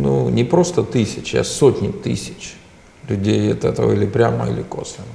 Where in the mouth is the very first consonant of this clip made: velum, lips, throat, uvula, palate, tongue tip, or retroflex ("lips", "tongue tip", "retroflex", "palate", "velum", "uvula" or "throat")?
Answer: tongue tip